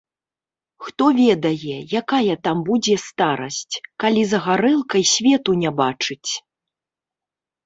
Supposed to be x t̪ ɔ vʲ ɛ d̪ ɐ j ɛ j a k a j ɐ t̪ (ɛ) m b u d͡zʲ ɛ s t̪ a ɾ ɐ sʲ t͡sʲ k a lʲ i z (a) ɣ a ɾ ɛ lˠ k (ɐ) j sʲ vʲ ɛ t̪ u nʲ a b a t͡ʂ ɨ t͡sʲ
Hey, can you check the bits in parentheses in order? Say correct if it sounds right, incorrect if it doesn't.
incorrect: a, incorrect: ɐ, correct

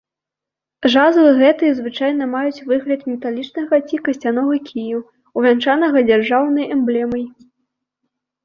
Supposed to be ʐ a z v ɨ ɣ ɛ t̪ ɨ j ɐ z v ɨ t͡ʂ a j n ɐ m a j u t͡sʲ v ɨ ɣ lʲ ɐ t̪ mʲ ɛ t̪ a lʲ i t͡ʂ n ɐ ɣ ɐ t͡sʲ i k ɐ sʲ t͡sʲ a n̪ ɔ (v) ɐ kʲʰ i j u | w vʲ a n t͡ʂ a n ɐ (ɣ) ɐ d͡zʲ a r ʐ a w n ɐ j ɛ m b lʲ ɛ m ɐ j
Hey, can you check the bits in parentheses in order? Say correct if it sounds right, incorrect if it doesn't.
incorrect: ɣ, correct

